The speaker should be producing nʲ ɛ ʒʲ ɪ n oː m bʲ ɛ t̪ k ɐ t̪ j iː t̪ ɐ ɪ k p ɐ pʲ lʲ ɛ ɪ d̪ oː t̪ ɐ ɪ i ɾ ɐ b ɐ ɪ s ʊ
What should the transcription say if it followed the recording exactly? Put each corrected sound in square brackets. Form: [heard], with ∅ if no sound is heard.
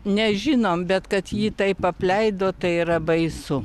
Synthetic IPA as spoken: nʲ ɛ ʒʲ ɪ n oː m bʲ ɛ t̪ k ɐ t̪ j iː t̪ ɐ ɪ [∅] p ɐ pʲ lʲ ɛ ɪ d̪ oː t̪ ɐ ɪ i ɾ ɐ b ɐ ɪ s ʊ